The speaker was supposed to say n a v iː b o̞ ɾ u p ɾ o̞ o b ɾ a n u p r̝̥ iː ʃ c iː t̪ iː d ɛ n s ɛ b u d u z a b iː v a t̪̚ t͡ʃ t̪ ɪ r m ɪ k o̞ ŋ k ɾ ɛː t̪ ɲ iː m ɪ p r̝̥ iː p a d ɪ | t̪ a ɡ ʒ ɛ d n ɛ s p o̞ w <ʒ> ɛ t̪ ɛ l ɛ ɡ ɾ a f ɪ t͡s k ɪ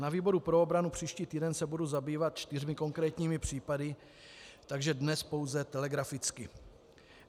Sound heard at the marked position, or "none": z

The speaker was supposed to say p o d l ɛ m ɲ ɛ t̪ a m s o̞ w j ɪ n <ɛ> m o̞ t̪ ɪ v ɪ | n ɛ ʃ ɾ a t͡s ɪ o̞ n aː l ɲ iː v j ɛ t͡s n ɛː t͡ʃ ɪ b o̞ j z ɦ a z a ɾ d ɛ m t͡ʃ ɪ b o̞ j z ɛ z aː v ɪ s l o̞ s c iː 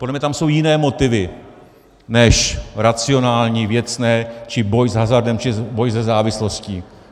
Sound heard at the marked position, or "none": ɛː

